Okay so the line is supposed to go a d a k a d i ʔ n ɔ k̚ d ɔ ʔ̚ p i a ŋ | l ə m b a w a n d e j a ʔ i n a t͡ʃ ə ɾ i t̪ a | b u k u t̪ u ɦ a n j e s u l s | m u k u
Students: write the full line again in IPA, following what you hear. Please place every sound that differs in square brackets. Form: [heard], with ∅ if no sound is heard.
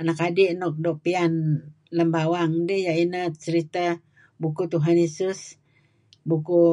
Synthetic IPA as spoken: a [n] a k a d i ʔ n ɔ k̚ d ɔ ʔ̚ p i a [n] | l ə m b a w a [ŋ] d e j a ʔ i n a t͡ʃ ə ɾ i t̪ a | b u k u t̪ u ɦ a n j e s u [∅] s | [b] u k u